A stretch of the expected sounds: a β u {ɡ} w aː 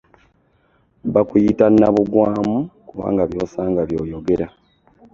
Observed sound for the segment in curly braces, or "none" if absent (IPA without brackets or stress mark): ɡ